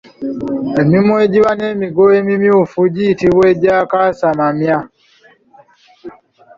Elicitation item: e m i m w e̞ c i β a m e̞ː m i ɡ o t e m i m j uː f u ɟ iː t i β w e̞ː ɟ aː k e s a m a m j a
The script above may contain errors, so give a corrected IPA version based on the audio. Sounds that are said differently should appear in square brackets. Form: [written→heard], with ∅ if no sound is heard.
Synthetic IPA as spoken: e m i m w e̞ [c→ɟ] i β a [m→n] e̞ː m i ɡ o [t→∅] e m i m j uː f u ɟ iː t i β w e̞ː ɟ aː k [e→a] s a m a m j a